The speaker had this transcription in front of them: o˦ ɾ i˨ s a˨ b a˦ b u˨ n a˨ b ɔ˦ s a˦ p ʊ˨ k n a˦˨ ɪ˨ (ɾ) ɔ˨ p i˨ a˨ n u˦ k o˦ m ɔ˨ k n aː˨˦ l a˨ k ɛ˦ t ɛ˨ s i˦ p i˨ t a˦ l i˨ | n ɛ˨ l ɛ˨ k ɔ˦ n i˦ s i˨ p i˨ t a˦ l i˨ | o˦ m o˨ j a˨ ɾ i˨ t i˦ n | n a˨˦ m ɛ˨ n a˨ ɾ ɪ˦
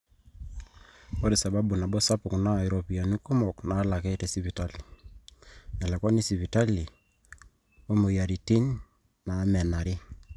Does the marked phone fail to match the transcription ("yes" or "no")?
no